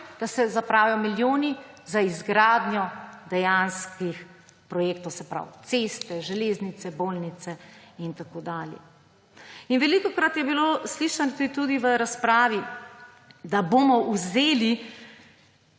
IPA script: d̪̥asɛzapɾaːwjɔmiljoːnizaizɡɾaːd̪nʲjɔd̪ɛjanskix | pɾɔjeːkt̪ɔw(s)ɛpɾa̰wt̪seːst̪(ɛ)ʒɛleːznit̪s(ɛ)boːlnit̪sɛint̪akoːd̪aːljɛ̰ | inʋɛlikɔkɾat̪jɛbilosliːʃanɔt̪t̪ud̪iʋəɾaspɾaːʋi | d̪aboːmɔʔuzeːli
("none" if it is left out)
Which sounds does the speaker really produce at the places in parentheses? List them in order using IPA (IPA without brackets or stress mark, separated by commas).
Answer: s, ɛ, ɛ